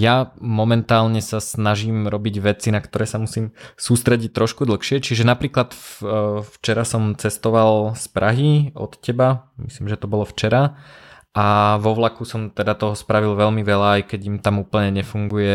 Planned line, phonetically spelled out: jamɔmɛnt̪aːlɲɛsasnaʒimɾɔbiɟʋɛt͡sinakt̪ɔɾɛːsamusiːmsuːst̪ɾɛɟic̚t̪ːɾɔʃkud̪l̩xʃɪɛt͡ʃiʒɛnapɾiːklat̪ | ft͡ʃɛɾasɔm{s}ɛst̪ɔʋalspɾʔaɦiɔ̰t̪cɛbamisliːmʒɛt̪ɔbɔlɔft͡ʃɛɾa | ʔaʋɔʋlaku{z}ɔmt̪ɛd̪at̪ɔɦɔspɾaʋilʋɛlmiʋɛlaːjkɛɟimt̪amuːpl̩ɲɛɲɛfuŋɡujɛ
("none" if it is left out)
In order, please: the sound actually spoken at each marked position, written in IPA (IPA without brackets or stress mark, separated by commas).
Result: t͡s, s